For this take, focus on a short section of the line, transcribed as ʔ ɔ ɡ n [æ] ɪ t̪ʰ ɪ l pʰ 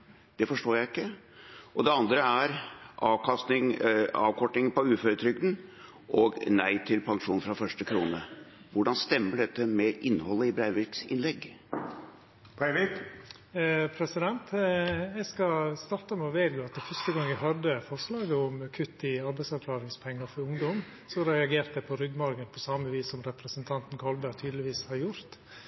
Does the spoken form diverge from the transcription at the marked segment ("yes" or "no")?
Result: no